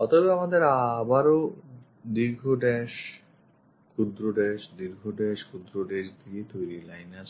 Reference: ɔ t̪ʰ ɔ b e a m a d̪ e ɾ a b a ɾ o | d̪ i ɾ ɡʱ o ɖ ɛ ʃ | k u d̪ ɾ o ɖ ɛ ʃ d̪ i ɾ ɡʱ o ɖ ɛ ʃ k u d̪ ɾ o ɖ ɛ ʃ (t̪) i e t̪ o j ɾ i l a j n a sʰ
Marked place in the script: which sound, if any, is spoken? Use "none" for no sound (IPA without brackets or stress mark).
d̪